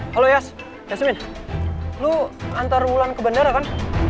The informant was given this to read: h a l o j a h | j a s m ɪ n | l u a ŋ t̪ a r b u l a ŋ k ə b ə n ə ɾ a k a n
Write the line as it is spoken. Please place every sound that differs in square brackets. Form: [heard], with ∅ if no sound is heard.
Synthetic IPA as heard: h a l o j a [s] | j a s m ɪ n | l u a [n] t̪ a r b u l a [n] k ə b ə n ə ɾ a k a n